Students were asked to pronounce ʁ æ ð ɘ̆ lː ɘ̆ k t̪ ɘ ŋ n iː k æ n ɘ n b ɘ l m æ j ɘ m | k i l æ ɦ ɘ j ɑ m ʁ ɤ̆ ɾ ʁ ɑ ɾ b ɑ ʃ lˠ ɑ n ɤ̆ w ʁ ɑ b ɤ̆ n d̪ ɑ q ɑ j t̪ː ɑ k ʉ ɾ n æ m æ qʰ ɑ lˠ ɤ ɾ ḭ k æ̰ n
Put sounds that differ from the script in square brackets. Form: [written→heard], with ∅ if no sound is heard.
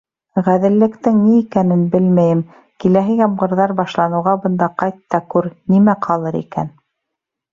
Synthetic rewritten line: ʁ æ ð ɘ̆ lː ɘ̆ k t̪ ɘ ŋ n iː k æ n ɘ n b ɘ l m æ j ɘ m | k i l æ ɦ ɘ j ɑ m ʁ ɤ̆ ɾ [ʁ→ð] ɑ ɾ b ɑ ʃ lˠ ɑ n ɤ̆ w ʁ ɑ b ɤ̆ n d̪ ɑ q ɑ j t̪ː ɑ k ʉ ɾ n [æ→i] m æ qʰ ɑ lˠ ɤ ɾ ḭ k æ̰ n